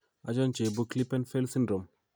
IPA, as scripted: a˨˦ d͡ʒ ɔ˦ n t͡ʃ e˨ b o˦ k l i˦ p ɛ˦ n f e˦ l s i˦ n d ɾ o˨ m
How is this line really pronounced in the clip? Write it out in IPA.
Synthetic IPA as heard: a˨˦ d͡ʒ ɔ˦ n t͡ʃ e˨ b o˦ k l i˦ p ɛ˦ n f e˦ l s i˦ n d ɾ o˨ m